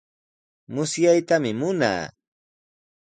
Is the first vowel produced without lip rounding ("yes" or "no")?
no